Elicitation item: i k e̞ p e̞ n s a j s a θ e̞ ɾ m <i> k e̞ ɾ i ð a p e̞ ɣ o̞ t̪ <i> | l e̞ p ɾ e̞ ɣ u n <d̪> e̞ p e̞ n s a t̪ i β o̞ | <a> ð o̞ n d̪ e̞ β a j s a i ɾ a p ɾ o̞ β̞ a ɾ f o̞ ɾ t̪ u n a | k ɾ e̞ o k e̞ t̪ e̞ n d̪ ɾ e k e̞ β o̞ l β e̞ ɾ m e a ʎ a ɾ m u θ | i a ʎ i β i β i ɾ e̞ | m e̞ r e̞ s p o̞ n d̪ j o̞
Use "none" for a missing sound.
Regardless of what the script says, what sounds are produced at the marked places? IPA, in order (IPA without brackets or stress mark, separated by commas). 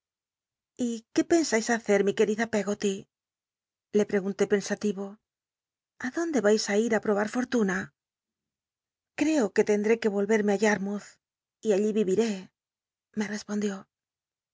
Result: i, i, t̪, a